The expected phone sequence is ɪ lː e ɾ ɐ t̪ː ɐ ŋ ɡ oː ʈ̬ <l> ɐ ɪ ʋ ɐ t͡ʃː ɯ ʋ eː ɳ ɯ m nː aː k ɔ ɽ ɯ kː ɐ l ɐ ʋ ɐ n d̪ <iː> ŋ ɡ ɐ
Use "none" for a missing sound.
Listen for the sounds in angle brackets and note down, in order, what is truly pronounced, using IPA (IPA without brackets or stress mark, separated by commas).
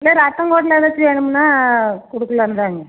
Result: l, aː